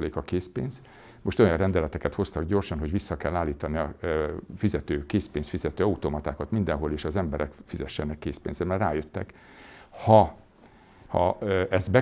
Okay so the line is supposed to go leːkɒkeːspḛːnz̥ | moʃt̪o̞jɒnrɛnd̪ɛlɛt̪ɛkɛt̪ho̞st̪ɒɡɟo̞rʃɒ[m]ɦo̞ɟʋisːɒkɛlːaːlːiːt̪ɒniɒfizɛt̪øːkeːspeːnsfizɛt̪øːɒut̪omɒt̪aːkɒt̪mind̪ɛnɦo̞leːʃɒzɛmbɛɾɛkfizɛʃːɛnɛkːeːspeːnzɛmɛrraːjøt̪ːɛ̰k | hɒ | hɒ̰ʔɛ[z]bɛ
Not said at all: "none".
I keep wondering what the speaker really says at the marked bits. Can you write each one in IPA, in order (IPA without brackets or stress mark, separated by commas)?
n, z